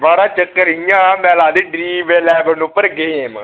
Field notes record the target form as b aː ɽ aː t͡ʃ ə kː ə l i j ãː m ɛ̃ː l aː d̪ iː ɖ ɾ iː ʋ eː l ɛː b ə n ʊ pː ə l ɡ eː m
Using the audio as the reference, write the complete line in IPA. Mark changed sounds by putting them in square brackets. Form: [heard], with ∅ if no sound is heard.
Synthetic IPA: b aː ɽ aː t͡ʃ ə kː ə [ɾ] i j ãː m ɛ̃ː l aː d̪ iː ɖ ɾ iː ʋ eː l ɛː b ə n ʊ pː ə [ɾ] ɡ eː m